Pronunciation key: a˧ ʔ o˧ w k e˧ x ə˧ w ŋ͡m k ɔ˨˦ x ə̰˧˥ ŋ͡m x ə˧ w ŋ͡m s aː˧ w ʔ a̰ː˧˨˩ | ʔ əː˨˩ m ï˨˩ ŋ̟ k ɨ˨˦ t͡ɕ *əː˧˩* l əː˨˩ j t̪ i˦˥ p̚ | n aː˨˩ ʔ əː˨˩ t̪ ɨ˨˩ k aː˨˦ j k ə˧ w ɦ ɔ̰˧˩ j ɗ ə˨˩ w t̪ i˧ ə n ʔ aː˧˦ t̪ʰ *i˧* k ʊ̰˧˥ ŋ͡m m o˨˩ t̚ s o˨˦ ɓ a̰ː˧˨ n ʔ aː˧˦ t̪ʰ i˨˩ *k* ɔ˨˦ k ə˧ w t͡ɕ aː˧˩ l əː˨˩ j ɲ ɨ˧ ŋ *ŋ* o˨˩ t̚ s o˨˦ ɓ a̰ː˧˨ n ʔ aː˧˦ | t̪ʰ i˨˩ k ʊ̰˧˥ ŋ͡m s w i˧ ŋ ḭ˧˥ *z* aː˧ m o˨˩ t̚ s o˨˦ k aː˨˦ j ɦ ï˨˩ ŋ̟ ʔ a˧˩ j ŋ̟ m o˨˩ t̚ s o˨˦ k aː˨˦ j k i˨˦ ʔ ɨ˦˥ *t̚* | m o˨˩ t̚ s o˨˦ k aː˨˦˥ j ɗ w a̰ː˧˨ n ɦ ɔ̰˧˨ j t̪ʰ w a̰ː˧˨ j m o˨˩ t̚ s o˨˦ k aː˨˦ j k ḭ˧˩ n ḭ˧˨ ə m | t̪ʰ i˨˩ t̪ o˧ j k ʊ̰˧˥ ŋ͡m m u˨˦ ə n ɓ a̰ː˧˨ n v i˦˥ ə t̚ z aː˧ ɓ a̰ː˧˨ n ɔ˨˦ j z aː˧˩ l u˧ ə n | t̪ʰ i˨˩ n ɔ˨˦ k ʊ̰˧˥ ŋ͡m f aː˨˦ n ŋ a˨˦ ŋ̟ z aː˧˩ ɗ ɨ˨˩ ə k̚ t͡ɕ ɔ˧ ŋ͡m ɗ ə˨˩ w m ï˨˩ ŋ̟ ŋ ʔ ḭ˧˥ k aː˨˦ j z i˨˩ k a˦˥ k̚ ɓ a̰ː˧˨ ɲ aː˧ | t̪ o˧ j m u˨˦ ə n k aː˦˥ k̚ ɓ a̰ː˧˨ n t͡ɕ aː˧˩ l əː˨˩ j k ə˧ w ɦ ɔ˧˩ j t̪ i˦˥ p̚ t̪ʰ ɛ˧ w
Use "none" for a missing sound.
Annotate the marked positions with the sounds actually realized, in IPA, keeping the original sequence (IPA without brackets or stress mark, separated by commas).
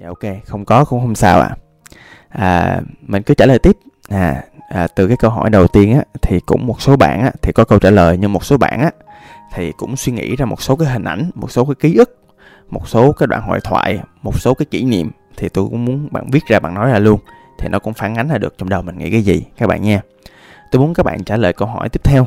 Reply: aː˧˩, i˨˩, k, m, z, k̚